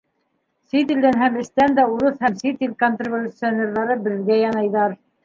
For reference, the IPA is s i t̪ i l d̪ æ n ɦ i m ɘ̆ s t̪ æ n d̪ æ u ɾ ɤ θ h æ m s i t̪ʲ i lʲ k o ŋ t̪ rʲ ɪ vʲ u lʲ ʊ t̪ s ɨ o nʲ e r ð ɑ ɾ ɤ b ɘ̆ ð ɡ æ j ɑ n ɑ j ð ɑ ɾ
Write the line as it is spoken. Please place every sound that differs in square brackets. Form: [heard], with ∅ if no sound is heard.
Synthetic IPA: s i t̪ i l d̪ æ n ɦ [æ] m ɘ̆ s t̪ æ n d̪ æ u ɾ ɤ θ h æ m s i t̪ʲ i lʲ k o [n] t̪ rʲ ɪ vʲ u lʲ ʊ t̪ s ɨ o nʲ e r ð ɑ ɾ ɤ b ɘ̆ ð ɡ æ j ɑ n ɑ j ð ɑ ɾ